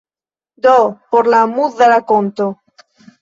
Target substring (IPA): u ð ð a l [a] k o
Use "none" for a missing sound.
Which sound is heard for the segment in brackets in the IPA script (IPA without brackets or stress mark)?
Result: a